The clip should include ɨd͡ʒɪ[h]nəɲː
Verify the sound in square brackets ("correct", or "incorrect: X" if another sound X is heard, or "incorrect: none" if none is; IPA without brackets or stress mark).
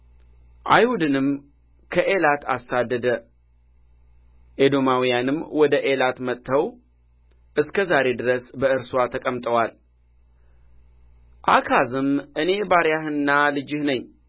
correct